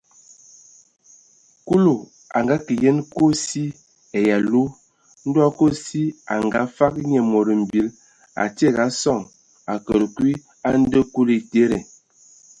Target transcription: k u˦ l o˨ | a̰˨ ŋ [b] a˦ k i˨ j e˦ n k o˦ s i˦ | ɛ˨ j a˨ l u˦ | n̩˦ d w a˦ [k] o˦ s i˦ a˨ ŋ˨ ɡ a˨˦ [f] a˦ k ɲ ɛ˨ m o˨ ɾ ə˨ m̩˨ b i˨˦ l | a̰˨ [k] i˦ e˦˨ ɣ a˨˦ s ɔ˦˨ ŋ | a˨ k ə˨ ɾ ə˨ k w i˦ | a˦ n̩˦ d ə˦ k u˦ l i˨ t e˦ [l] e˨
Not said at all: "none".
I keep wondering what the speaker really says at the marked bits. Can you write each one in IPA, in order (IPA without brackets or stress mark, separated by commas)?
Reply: ɡ, k, f, t, ɾ